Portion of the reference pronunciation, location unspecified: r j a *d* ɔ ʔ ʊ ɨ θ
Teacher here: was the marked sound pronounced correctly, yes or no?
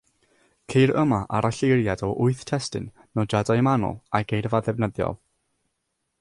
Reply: yes